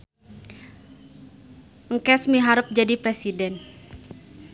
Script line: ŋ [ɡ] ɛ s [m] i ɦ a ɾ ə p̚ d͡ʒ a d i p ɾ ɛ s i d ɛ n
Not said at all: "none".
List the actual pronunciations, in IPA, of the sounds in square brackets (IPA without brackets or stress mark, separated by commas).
k, m